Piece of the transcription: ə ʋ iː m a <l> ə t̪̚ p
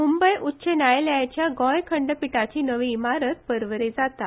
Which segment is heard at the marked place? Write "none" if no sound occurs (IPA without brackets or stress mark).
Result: ɾ